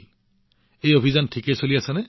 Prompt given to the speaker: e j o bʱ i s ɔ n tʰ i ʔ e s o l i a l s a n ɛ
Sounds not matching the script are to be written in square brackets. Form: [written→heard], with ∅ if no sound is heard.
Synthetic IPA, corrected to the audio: e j o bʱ i [s→z] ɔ n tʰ i [ʔ→k] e s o l i a [l→∅] s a n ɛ